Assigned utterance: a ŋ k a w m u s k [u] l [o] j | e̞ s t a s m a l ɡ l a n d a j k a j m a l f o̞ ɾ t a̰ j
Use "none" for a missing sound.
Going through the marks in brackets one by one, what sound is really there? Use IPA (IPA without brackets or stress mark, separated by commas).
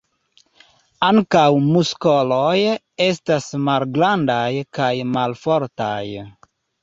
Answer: o, o